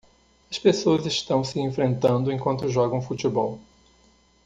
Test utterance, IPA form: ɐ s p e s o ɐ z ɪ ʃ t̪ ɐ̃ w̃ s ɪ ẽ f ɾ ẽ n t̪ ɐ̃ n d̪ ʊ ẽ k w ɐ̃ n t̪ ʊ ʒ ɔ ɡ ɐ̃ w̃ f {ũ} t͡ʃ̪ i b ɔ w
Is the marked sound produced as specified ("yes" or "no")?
no